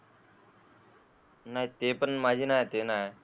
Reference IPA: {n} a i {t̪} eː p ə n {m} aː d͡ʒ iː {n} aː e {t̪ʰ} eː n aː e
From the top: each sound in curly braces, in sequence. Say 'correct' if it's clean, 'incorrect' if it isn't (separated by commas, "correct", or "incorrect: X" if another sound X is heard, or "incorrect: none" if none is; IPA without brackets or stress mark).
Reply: correct, correct, correct, correct, incorrect: t̪